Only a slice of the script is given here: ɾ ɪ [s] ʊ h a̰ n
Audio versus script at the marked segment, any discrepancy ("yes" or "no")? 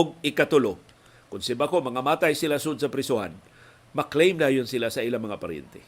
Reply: no